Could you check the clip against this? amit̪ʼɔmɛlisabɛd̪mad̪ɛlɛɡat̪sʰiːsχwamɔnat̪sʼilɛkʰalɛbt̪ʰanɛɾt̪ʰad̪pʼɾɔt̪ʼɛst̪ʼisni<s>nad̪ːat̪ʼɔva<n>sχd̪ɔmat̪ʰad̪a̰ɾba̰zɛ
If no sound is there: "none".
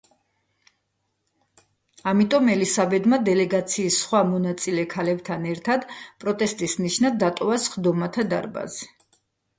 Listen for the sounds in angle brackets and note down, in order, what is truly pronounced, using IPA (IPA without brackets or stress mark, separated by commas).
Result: ʃ, none